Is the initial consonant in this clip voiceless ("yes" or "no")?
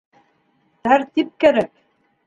yes